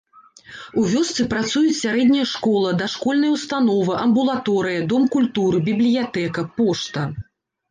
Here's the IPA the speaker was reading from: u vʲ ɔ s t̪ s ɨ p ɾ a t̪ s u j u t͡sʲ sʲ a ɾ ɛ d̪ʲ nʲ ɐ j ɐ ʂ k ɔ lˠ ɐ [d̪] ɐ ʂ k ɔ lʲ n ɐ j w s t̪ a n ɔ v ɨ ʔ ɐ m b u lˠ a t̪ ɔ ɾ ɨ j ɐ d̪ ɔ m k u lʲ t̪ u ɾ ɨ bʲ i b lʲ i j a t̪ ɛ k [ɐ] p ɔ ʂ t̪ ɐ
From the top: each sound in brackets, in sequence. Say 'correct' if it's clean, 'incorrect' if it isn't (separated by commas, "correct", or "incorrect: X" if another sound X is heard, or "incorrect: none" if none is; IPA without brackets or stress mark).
correct, correct